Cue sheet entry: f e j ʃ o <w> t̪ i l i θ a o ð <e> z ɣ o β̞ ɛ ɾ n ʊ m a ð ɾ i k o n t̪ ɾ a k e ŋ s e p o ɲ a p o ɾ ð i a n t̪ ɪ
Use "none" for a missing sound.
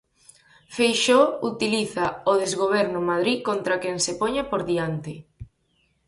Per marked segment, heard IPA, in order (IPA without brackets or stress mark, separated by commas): u, e